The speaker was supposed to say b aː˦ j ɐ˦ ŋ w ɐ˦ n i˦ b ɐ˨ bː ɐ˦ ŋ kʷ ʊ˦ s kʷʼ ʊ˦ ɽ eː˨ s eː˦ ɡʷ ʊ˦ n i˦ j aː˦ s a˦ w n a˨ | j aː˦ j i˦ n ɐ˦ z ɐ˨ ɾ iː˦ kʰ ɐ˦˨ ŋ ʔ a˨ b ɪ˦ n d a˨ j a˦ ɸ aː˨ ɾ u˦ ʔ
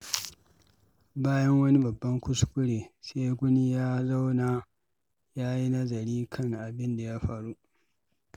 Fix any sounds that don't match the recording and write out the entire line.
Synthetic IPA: b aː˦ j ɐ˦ ŋ w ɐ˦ n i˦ b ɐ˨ bː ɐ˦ ŋ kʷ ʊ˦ s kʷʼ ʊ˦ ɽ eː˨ s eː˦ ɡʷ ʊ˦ n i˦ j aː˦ z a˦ w n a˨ | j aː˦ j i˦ n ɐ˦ z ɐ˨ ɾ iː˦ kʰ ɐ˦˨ ŋ ʔ a˨ b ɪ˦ n d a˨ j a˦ ɸ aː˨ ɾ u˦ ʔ

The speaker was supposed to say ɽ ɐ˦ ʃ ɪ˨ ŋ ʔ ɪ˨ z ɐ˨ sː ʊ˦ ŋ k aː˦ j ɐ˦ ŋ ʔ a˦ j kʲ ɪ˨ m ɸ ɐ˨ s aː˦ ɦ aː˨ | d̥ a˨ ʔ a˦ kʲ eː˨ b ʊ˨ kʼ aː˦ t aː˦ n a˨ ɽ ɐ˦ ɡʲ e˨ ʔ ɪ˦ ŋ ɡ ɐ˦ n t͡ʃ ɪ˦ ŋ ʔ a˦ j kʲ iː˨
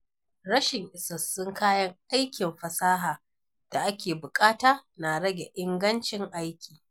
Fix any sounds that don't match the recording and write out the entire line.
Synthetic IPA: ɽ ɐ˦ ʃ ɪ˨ ŋ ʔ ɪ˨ s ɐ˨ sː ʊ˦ ŋ k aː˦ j ɐ˦ ŋ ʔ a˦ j kʲ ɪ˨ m ɸ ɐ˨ s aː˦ ɦ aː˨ | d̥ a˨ ʔ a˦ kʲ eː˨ b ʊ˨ kʼ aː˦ t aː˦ n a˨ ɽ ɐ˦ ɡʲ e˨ ʔ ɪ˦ ŋ ɡ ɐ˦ n t͡ʃ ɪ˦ ŋ ʔ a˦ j kʲ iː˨

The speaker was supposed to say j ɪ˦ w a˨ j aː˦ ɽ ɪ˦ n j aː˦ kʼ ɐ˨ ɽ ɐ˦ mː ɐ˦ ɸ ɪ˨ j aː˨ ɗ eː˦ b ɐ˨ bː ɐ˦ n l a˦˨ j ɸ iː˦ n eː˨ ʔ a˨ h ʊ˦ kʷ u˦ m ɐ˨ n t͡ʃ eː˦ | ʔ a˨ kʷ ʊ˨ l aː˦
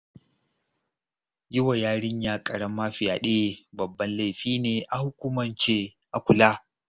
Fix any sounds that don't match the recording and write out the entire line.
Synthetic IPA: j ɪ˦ w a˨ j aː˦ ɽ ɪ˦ ɲ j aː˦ kʼ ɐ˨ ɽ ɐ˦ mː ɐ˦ ɸ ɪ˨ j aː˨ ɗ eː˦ b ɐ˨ bː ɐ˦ n l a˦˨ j ɸ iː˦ n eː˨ ʔ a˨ h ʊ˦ kʷ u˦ m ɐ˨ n t͡ʃ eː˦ | ʔ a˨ kʷ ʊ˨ l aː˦

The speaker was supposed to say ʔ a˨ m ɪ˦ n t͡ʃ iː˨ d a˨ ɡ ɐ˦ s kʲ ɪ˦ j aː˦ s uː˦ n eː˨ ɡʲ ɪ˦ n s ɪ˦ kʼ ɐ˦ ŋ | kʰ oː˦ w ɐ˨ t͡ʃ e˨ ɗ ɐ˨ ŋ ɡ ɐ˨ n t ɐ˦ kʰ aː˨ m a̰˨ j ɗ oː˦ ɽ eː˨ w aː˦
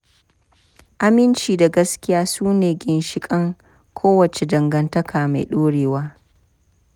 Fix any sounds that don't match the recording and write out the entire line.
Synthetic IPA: ʔ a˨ m ɪ˦ n t͡ʃ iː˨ d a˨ ɡ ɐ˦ s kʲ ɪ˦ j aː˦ s uː˦ n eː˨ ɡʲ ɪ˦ n ʃ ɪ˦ kʼ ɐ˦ ŋ | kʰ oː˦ w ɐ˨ t͡ʃ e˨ d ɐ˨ ŋ ɡ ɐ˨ n t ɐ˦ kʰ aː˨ m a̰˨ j ɗ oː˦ ɽ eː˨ w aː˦

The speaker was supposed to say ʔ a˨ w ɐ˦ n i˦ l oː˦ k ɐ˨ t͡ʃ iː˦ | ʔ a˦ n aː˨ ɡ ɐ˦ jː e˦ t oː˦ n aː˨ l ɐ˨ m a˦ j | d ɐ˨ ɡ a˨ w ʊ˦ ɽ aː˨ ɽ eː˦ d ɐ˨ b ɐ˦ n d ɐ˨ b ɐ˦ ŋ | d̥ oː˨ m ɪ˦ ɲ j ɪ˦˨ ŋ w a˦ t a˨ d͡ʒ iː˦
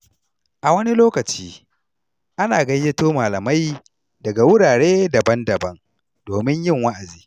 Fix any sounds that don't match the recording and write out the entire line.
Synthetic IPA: ʔ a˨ w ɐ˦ n i˦ l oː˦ k ɐ˨ t͡ʃ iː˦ | ʔ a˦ n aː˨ ɡ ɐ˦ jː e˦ t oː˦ m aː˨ l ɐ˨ m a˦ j | d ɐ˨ ɡ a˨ w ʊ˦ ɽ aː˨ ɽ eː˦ d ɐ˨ b ɐ˦ n d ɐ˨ b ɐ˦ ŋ | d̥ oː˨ m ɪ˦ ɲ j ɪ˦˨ ŋ w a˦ ʔ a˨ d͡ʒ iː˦

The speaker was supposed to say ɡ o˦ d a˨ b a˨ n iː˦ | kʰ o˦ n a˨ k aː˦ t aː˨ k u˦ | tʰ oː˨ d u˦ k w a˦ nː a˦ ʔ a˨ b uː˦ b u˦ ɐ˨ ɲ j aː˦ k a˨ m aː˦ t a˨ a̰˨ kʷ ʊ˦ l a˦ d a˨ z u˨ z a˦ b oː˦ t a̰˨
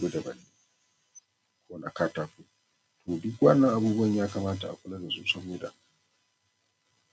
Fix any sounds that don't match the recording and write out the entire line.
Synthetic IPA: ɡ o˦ d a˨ b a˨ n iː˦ | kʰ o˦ n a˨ k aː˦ t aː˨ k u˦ | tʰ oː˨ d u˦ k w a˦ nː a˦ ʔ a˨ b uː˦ b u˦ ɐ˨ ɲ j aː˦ k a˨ m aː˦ t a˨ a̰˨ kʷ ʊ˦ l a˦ d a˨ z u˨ s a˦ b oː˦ d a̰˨

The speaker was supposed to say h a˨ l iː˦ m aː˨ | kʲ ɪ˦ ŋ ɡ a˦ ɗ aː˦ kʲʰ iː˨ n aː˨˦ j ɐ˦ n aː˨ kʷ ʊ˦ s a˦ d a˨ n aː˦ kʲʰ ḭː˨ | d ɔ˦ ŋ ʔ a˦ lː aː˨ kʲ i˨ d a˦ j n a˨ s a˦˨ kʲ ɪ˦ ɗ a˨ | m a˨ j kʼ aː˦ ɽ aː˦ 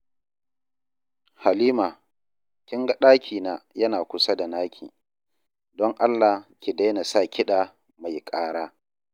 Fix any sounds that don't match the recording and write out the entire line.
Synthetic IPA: h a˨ l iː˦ m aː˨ | kʲ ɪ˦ ŋ ɡ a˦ ɗ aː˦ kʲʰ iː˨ n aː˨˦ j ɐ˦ n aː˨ kʷ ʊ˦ s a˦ d a˨ n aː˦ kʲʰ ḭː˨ | d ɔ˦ ŋ ʔ a˦ lː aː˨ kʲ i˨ d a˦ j n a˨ s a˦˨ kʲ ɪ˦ ɗ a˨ | m a˨ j kʼ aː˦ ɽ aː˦

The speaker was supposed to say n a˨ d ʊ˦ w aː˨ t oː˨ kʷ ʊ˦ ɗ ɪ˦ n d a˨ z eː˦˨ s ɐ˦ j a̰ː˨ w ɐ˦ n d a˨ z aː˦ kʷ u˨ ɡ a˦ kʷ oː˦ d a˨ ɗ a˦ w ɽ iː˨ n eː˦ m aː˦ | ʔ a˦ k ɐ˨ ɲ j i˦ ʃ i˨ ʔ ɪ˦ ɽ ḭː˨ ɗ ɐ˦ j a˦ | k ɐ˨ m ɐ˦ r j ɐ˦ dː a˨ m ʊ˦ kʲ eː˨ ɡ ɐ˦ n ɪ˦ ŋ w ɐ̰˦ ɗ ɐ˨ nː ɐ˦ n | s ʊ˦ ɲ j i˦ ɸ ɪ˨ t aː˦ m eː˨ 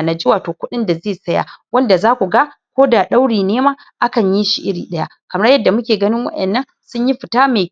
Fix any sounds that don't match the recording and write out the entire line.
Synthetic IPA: n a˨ d͡ʒ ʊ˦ w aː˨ t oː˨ kʷ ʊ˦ ɗ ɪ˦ n d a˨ z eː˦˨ s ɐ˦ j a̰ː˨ w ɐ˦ n d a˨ z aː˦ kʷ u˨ ɡ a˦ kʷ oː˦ d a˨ ɗ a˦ w ɽ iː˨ n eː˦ m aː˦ | ʔ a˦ k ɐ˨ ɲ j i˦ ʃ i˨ ʔ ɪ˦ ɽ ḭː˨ ɗ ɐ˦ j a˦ | k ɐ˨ m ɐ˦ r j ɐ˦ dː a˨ m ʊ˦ kʲ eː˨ ɡ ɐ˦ n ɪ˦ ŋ w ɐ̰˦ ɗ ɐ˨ nː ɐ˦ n | s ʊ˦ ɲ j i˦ ɸ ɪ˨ t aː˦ m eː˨

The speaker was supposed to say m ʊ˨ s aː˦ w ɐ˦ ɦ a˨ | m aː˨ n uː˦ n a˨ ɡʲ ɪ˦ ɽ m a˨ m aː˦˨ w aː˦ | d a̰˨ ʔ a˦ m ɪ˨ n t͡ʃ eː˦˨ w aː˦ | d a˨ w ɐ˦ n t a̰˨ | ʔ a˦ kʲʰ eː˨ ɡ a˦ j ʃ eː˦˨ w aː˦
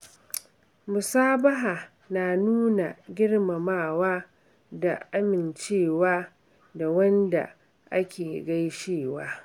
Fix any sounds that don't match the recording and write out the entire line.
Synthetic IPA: m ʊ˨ s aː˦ b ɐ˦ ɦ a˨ | n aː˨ n uː˦ n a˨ ɡʲ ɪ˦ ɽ m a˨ m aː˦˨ w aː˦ | d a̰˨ ʔ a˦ m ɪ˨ n t͡ʃ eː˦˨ w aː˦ | d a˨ w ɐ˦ n d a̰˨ | ʔ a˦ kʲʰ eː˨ ɡ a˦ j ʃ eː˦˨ w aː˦

